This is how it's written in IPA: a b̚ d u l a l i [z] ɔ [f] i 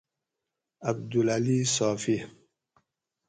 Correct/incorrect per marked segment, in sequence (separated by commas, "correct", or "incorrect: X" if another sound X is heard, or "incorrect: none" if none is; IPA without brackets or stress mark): incorrect: s, correct